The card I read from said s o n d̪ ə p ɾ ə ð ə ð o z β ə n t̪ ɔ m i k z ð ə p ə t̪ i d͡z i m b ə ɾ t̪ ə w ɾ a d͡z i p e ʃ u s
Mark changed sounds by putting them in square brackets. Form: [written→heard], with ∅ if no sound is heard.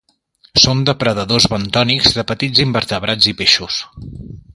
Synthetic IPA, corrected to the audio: s o n d̪ ə p ɾ ə ð ə ð o z β ə n t̪ ɔ [m→n] i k z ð ə p ə t̪ i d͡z i m b ə ɾ t̪ ə [w→β] ɾ a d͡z i p e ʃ u s

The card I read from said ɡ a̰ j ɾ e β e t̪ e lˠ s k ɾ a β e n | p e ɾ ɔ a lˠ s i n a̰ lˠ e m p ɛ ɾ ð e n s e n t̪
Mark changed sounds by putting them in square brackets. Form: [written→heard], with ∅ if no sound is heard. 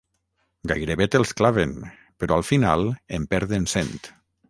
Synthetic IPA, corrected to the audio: ɡ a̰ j ɾ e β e t̪ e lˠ s k [ɾ→l] a β e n | p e ɾ ɔ a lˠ [s→f] i n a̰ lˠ e m p ɛ ɾ ð e n s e n t̪

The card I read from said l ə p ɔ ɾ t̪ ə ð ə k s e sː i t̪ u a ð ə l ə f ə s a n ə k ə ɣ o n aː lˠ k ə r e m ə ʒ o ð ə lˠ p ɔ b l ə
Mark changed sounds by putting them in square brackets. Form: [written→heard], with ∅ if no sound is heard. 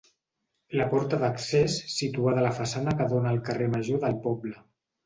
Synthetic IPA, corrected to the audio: l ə p ɔ ɾ t̪ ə ð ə k s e sː i t̪ u a ð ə l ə f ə s a n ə k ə [ɣ→ð] o n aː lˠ k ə r e m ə ʒ o ð ə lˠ p ɔ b l ə

